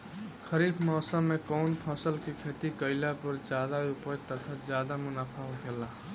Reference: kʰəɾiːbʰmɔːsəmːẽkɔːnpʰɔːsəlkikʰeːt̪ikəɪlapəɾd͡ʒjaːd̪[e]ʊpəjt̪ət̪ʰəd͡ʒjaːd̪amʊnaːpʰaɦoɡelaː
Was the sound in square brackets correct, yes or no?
no